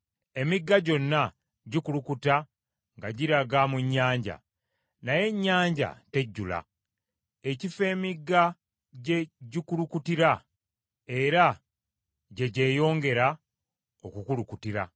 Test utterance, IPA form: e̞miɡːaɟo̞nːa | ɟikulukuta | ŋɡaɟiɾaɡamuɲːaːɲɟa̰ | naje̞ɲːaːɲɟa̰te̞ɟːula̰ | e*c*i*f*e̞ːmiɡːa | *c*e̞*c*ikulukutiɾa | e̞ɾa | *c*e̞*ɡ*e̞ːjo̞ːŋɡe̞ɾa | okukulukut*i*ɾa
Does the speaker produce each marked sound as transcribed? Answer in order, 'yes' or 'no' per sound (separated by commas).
yes, yes, no, no, no, no, yes